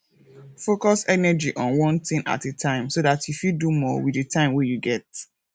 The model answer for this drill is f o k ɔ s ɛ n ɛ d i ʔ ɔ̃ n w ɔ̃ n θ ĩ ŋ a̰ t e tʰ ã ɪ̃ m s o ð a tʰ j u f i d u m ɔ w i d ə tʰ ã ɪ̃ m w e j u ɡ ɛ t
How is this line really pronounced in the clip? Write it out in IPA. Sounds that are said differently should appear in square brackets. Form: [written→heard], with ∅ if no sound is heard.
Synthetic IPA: f o k ɔ s ɛ n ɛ [d→d͡ʒ] i ʔ ɔ̃ n w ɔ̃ n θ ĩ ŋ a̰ t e tʰ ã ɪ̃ m s o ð a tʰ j u f i d u m ɔ w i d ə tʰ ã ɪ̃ m w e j u ɡ ɛ t